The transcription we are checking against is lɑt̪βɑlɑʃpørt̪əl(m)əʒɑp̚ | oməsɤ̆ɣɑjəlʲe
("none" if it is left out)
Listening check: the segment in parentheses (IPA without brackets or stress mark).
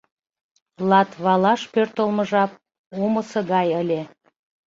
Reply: m